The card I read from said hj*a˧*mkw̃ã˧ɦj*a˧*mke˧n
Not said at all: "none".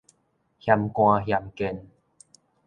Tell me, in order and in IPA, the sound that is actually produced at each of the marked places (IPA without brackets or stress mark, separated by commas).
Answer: a˧, a˧